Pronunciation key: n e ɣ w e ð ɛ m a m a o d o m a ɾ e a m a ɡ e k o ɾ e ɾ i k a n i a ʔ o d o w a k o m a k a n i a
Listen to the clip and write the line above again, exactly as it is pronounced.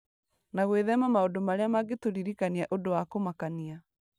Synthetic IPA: n a ɣ w e ð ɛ m a m a o d o m a ɾ e a m a ɡ e t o ɾ i ɾ i k a n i a ʔ o d o w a k o m a k a n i a